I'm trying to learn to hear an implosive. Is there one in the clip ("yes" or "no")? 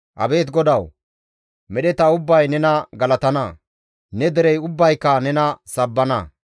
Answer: yes